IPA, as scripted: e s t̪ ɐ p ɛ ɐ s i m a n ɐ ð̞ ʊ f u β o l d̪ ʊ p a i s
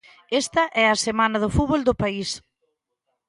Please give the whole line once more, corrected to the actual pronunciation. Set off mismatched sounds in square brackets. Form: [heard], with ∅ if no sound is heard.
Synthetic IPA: e s t̪ ɐ [ʔ] ɛ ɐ s [e] m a n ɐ ð̞ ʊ f u β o l d̪ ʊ p a i s